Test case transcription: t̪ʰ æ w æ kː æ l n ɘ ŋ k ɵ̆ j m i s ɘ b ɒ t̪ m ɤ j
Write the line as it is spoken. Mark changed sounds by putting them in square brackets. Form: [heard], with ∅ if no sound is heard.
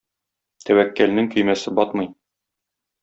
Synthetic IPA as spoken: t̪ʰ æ w æ kː æ l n ɘ ŋ k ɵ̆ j m [æ] s ɘ b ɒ t̪ m ɤ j